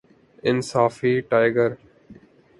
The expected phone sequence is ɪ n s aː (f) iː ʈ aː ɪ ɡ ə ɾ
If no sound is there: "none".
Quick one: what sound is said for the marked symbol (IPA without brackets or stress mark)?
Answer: f